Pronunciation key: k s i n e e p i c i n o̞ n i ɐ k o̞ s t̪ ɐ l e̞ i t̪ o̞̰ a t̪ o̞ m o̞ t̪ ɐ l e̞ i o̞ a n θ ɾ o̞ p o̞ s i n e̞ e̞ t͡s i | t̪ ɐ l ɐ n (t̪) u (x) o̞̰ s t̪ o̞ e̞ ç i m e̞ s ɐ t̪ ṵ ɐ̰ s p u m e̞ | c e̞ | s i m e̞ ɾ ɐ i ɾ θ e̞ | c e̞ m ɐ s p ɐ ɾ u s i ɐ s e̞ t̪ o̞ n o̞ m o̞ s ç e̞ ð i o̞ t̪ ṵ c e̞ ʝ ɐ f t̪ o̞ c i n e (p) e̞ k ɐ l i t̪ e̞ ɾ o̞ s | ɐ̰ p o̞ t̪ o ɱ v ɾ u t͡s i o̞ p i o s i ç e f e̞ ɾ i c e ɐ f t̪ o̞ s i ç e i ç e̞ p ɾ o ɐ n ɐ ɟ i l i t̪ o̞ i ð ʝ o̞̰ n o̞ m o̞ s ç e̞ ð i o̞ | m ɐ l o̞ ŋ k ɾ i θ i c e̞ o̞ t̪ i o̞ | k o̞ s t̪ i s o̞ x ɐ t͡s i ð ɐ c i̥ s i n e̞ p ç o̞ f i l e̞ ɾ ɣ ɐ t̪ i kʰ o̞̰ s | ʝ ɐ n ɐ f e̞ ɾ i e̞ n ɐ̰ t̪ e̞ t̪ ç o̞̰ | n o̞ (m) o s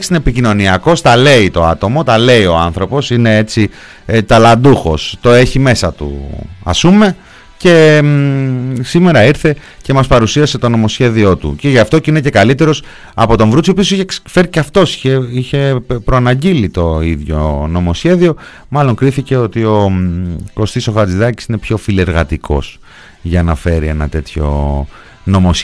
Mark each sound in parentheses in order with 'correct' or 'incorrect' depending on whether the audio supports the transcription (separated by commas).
incorrect, correct, incorrect, correct